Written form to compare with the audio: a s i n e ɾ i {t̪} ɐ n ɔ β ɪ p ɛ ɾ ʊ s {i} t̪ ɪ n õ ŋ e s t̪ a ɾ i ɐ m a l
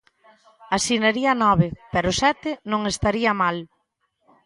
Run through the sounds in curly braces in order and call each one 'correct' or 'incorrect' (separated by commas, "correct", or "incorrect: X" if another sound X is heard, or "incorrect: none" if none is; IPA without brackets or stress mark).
incorrect: none, incorrect: ɛ